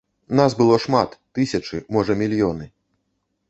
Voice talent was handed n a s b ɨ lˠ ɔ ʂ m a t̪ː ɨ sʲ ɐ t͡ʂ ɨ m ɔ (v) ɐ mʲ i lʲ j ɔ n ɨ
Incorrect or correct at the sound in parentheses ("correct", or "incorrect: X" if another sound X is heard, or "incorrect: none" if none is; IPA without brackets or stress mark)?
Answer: incorrect: ʐ